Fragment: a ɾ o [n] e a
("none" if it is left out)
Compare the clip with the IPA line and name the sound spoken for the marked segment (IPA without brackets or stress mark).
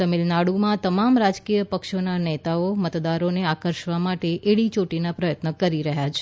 n